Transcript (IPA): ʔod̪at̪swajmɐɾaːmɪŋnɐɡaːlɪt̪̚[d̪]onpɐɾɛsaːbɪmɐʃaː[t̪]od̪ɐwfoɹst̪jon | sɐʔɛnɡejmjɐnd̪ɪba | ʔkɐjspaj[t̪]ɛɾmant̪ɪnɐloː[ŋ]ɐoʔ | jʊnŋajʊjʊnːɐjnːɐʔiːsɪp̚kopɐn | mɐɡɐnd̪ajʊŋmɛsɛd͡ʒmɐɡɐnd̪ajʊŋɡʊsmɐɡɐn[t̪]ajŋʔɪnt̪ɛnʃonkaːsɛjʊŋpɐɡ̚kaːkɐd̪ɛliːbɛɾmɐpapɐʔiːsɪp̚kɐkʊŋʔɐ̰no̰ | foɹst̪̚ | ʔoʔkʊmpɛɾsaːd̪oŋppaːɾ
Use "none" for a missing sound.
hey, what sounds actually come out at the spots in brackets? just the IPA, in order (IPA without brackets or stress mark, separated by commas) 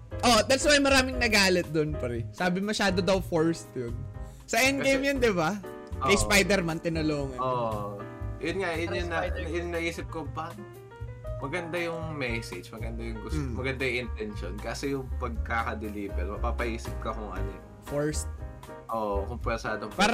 d̪, d̪, d̪, ŋ, d̪